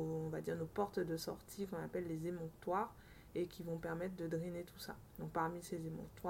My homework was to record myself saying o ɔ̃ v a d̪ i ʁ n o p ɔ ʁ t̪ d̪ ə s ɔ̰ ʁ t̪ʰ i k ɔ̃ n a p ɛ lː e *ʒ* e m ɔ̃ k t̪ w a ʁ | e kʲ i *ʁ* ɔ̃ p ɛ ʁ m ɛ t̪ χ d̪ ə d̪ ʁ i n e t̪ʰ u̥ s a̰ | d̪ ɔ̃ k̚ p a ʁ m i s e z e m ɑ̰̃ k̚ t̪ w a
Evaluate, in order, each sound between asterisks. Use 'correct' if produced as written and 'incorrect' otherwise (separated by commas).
incorrect, incorrect